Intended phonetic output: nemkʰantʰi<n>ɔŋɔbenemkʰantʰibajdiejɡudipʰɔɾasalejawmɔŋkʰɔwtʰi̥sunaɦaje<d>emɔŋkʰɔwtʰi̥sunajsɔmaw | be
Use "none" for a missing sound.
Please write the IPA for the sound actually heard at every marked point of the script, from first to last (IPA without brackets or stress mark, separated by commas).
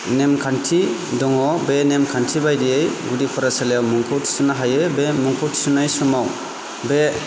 d, b